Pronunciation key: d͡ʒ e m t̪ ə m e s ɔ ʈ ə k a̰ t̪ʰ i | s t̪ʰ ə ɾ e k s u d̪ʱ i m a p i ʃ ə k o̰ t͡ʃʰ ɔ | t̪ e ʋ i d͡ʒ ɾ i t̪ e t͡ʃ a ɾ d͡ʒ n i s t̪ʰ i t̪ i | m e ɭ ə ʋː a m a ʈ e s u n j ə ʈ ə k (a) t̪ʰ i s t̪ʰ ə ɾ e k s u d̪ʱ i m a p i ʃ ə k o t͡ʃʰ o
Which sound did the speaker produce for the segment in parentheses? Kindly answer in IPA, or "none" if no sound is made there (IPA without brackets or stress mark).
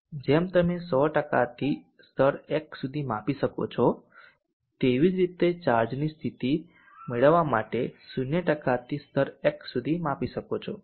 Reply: a